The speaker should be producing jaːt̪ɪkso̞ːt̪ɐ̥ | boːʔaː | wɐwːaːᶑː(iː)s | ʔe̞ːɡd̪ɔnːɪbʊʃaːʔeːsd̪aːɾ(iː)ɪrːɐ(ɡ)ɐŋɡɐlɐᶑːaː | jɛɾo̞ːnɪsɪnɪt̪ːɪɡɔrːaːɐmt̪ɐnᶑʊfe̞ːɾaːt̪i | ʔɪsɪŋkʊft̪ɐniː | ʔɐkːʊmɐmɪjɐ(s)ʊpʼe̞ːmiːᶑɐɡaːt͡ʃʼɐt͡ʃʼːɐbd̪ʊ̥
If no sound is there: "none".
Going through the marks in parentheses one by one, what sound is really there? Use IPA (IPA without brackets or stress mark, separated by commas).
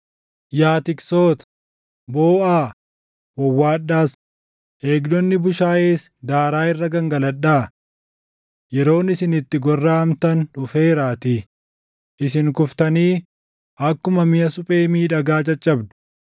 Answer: aː, aː, ɡ, s